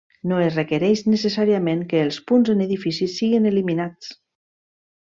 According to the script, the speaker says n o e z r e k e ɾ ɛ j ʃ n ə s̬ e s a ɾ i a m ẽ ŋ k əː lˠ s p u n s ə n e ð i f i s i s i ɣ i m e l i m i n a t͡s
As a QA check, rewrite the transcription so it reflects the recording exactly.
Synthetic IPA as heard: n o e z r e k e ɾ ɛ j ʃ n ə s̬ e s a ɾ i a m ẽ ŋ k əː lˠ s p u n z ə n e ð i f i s i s i ɣ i n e l i m i n a t͡s